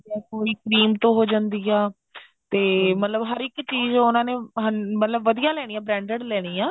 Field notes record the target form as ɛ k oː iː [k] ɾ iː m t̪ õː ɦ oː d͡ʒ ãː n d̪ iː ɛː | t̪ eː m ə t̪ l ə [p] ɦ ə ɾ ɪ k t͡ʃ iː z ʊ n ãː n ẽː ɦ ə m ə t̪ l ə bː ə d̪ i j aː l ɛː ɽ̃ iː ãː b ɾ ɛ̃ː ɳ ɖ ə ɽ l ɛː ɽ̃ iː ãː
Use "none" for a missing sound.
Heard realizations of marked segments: k, b

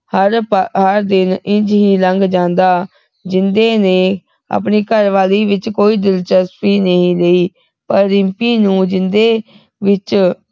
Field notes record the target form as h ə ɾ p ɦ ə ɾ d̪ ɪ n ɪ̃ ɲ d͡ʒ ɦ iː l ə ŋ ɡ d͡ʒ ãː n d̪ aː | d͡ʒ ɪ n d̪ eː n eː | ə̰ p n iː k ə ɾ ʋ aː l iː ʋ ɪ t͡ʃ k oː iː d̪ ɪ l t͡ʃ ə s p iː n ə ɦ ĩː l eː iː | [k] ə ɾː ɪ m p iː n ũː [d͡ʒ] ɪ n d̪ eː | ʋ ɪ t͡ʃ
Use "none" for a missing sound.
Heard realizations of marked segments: p, d͡ʒ

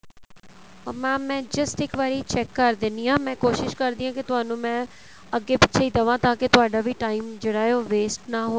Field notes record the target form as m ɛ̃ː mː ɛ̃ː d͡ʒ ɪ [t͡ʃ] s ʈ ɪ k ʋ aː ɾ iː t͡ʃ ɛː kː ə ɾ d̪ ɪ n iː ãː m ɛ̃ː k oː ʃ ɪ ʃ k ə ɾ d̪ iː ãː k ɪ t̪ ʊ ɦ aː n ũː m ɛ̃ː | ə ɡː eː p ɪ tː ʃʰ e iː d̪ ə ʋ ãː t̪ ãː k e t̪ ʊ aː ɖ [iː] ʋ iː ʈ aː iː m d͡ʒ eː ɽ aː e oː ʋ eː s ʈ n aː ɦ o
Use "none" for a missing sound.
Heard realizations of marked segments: none, aː

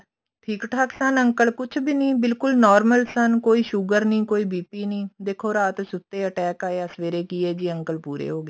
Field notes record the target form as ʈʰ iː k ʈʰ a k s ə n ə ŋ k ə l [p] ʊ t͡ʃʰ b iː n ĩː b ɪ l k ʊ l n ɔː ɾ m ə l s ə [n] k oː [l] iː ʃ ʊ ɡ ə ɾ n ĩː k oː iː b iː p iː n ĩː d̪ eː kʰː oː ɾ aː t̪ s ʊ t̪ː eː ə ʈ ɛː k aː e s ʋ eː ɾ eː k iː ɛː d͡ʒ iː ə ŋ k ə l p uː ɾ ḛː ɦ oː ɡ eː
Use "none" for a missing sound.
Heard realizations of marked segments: k, n, none

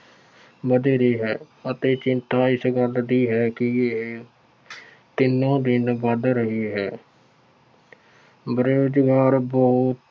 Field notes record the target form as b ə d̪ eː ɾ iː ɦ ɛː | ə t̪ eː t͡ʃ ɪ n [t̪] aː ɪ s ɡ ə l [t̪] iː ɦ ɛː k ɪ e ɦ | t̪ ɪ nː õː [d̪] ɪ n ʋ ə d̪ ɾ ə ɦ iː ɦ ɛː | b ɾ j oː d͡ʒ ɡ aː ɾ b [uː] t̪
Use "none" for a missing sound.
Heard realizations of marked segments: t̪, d̪, d̪, ɔː

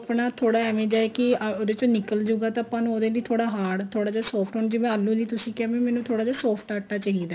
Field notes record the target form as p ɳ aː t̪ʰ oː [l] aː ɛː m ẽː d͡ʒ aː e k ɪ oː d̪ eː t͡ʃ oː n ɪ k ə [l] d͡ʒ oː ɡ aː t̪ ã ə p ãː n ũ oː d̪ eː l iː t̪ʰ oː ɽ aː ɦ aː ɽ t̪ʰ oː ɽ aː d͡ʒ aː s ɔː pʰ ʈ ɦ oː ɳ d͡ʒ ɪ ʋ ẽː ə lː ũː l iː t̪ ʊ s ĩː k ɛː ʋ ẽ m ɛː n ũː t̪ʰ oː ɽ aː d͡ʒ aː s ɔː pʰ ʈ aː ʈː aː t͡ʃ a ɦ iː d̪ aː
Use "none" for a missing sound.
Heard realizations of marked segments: ɽ, l

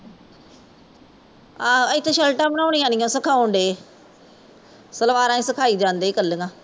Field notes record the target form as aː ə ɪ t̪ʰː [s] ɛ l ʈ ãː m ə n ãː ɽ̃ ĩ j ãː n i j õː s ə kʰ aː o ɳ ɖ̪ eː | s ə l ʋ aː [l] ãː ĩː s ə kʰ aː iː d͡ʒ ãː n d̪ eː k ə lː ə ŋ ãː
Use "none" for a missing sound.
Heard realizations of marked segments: ʃ, ɾ

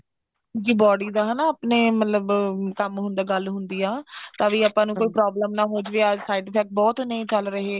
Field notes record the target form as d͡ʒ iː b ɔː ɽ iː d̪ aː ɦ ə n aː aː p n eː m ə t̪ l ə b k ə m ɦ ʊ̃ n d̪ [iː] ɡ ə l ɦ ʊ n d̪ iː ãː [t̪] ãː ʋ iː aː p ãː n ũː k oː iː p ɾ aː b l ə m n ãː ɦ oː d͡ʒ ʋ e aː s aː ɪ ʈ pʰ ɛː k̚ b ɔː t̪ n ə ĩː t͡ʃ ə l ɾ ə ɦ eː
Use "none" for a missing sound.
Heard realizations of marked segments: aː, t̪

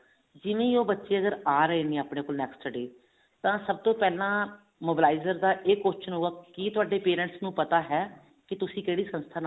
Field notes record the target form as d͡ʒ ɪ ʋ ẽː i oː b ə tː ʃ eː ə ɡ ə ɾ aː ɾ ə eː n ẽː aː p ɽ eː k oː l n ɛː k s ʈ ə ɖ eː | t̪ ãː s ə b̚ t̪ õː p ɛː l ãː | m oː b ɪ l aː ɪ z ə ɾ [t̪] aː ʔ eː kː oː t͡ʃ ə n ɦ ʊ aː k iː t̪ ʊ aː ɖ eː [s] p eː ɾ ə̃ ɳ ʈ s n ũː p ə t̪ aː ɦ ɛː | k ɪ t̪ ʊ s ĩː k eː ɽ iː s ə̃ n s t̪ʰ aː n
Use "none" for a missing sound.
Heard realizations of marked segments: d̪, none

